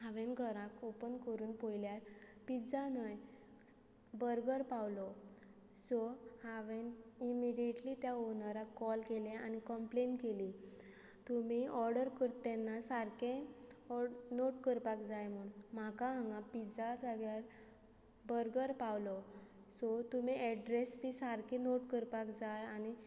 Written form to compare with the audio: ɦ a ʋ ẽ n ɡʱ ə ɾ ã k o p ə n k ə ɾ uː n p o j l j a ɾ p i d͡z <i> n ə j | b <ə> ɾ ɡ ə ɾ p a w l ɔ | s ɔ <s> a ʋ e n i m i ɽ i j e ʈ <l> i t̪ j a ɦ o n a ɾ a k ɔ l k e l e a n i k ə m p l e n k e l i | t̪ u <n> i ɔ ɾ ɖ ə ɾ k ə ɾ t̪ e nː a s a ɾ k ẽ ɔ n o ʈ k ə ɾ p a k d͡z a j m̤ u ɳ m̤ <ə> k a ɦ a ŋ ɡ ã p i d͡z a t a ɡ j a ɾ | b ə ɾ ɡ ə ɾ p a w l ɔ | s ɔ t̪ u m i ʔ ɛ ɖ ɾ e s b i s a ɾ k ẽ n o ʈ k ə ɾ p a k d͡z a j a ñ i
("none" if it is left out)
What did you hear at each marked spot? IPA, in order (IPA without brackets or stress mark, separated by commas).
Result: a, ə, h, l, m, a